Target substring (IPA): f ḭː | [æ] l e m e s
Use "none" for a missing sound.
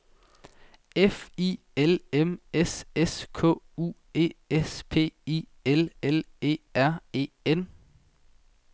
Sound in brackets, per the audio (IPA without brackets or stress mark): e